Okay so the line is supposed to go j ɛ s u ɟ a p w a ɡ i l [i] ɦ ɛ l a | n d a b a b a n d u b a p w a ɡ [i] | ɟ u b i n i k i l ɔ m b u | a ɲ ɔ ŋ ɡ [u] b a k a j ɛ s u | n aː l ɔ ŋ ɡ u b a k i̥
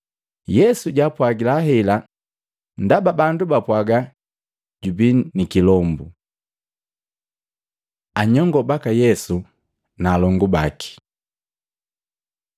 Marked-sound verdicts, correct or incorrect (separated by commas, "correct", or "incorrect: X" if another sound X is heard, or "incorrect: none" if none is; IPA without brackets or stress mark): incorrect: a, incorrect: a, incorrect: ɔ